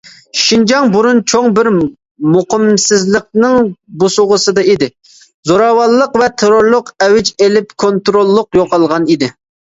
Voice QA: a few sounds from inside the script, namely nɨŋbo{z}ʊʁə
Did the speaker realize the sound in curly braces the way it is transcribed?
no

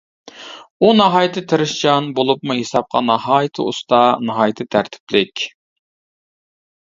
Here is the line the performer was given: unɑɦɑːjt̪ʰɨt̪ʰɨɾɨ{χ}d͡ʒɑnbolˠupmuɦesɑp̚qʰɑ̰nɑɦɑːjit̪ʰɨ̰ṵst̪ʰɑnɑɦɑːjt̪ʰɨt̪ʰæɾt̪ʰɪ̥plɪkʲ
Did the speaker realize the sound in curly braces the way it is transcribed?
no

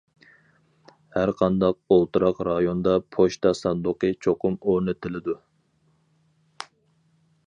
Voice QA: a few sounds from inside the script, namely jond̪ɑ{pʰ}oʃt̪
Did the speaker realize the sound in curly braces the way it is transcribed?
yes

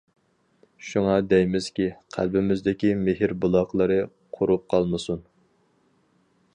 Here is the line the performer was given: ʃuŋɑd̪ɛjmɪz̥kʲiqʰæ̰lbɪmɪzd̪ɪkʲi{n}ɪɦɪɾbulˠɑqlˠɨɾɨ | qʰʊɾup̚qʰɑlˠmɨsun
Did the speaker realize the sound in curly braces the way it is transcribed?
no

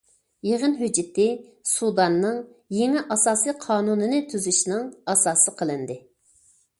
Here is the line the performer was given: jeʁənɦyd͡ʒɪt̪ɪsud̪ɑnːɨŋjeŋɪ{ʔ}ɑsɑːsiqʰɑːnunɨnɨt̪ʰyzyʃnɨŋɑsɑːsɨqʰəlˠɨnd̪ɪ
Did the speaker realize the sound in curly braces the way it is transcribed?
yes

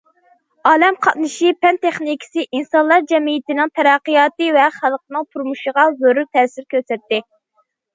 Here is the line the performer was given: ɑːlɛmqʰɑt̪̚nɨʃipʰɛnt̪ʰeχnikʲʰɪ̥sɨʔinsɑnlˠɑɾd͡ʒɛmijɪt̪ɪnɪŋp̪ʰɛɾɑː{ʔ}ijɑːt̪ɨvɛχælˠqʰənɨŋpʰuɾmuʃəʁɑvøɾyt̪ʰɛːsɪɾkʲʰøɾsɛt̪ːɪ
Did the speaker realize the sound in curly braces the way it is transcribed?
no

